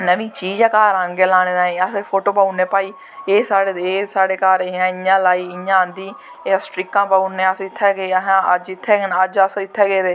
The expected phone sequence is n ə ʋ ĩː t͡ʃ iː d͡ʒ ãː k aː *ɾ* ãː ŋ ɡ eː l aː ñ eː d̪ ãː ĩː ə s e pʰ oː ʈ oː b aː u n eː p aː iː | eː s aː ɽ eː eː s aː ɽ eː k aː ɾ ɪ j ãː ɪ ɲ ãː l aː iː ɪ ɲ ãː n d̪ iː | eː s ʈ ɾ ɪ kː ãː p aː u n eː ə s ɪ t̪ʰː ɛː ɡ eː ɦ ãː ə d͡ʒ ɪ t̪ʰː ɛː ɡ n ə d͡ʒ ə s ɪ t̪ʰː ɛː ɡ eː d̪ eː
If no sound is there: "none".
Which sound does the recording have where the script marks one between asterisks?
ɾ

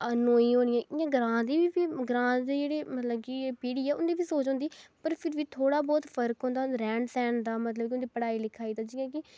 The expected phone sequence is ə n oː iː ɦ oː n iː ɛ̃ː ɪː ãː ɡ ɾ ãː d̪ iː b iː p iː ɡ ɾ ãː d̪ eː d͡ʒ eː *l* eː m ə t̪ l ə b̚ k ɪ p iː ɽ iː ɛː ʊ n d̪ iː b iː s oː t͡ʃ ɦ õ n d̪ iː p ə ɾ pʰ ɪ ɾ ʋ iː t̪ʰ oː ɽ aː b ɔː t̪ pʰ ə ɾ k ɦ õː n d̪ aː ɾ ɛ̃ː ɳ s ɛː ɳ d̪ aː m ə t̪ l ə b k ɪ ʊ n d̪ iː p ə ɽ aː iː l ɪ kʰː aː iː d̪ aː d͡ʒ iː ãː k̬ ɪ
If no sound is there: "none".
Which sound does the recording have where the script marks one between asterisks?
ɽ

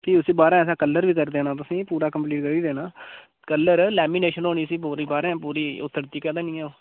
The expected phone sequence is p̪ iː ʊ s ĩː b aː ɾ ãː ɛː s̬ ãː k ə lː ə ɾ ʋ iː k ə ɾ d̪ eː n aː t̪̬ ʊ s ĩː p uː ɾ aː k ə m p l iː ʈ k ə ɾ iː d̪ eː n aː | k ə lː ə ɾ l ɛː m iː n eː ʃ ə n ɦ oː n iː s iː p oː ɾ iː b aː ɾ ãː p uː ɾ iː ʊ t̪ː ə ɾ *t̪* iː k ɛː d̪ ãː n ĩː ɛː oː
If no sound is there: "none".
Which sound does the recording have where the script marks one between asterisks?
t̪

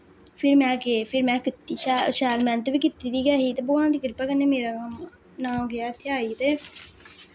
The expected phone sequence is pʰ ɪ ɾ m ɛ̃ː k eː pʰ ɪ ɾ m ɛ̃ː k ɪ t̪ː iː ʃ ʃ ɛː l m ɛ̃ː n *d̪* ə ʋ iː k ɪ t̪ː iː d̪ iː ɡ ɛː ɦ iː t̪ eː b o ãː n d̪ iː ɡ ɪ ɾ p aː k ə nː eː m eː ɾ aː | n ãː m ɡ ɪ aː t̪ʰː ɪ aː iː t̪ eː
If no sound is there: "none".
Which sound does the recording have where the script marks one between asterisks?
t̪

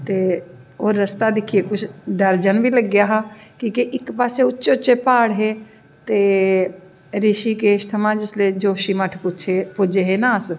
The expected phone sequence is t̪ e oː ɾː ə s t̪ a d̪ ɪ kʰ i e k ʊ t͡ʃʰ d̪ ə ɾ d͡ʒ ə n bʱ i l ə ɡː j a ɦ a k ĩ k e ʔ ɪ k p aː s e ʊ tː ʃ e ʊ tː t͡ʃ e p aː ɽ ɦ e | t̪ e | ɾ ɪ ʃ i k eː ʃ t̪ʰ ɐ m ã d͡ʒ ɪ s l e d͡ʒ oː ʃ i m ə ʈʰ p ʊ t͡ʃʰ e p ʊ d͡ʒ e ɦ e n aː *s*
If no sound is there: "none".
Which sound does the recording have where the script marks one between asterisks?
s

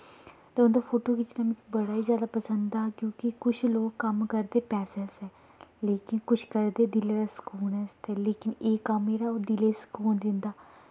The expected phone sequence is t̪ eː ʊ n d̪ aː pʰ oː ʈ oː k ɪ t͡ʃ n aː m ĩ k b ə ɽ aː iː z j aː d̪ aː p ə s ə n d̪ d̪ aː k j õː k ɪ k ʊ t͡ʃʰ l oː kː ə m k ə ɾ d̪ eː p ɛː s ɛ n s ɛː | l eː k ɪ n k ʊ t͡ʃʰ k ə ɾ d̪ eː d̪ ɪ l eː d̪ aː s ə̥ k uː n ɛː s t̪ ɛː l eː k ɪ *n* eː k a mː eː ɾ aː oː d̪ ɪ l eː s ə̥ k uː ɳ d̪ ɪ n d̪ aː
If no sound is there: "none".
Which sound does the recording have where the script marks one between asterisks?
n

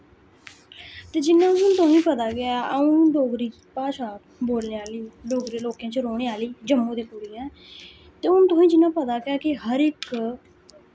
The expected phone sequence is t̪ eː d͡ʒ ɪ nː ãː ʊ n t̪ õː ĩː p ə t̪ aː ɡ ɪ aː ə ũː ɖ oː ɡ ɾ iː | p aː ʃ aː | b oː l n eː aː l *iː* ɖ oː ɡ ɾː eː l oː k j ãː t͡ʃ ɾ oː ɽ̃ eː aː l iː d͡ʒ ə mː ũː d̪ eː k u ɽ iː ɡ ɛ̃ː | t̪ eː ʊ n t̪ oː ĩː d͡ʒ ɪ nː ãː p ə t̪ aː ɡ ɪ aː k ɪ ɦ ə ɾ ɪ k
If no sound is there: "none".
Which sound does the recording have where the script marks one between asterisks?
iː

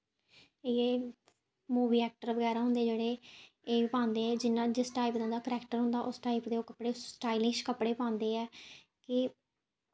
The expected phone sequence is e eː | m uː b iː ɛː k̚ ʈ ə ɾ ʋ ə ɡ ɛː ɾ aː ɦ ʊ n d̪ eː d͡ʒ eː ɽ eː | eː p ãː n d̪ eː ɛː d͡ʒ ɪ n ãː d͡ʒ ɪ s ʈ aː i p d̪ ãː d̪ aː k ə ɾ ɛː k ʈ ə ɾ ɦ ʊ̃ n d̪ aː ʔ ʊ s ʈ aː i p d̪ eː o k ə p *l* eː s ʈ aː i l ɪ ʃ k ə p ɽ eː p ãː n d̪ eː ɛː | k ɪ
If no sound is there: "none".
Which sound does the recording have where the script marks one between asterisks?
ɽ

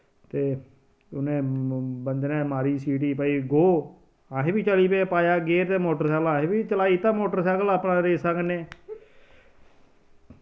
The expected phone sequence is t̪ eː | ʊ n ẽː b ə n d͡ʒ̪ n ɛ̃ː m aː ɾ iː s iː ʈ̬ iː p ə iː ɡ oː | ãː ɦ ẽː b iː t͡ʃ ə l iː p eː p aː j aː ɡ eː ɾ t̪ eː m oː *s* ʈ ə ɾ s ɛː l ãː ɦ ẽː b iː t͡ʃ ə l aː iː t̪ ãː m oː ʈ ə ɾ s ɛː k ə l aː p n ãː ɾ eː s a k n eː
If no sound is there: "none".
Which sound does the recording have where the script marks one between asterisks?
none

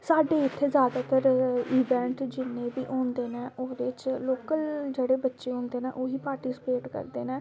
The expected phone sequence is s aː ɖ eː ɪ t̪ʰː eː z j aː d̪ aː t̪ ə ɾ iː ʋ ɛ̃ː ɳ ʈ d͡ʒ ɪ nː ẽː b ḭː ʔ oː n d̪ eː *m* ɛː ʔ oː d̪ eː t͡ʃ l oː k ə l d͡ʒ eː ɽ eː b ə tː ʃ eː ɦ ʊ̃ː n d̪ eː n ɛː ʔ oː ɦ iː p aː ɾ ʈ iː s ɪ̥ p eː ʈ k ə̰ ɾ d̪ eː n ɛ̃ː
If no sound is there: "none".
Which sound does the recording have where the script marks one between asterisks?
n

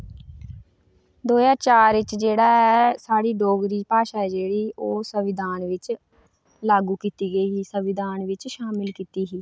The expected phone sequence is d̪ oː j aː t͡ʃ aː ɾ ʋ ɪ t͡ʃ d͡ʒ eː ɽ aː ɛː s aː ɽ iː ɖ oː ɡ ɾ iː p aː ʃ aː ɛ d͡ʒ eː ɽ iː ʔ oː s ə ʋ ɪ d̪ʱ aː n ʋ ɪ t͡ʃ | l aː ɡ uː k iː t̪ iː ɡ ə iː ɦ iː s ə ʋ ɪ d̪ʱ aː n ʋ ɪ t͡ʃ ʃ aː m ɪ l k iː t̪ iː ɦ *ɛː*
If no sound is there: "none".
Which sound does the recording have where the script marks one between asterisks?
iː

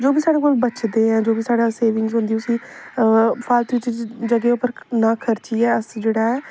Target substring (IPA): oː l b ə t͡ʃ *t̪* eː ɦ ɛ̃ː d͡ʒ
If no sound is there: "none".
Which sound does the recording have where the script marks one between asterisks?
d̪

